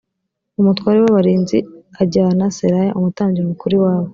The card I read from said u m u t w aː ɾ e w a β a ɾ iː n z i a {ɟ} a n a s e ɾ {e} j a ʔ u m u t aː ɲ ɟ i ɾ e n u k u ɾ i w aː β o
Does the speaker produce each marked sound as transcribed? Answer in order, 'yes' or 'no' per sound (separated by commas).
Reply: yes, no